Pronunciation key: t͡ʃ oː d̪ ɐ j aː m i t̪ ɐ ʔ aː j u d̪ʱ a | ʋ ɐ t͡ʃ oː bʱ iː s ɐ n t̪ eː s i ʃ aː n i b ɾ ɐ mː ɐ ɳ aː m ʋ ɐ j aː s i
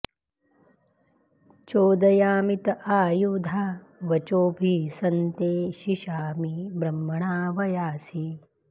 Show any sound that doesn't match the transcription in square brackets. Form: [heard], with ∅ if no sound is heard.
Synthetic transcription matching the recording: t͡ʃ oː d̪ ɐ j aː m i t̪ ɐ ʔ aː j u d̪ʱ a | ʋ ɐ t͡ʃ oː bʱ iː s ɐ n t̪ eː [ʃ] i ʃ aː [m] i b ɾ ɐ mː ɐ ɳ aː [∅] ʋ ɐ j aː s i